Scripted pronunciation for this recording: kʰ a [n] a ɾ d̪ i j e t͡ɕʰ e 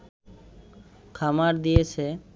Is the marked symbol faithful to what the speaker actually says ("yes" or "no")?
no